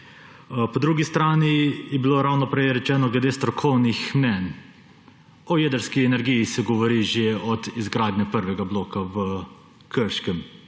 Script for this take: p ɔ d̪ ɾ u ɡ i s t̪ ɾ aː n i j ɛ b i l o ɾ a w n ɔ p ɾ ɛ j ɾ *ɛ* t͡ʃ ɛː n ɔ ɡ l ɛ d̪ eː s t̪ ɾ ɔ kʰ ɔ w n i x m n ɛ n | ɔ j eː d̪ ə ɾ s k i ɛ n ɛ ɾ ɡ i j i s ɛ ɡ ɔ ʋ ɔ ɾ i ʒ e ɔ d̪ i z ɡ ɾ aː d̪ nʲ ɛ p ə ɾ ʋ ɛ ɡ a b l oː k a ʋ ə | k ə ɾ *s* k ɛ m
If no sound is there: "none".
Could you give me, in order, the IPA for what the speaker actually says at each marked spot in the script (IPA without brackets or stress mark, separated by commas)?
ɛ, ʃ